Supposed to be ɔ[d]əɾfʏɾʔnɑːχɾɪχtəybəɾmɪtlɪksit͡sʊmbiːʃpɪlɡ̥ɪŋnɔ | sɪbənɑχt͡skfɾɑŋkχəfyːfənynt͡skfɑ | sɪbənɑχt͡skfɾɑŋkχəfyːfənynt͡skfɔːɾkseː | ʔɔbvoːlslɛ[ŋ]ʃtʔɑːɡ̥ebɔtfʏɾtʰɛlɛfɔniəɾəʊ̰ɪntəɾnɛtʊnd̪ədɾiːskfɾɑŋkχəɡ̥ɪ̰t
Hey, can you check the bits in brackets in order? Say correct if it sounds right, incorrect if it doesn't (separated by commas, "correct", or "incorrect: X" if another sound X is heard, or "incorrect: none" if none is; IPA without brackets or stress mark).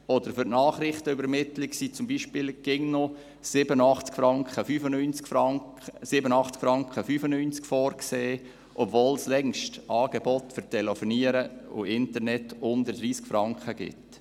correct, correct